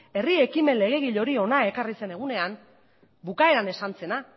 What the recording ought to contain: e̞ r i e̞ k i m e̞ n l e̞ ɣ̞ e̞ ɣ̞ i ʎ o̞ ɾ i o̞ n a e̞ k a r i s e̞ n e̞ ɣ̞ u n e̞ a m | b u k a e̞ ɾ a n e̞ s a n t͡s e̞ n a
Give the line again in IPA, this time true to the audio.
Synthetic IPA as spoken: e̞ r i e̞ k i m e̞ n l e̞ ɣ̞ e̞ ɣ̞ i ʎ o̞ ɾ i o̞ n a e̞ k a r i s e̞ n e̞ ɣ̞ u n e̞ a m | b u k a e̞ ɾ a n e̞ s a n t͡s e̞ n a